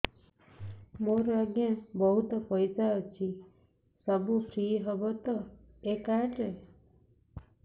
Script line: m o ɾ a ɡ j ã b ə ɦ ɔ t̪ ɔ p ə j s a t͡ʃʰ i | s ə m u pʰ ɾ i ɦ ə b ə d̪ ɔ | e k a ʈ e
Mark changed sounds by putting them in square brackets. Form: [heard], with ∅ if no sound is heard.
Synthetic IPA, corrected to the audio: m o ɾ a ɡ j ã b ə ɦ [u] t̪ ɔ p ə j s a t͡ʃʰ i | s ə [b] u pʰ ɾ i ɦ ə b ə [t̪] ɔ | e k a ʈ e